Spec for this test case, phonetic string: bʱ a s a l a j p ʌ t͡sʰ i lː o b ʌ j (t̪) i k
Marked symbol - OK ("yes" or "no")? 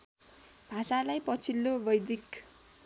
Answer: no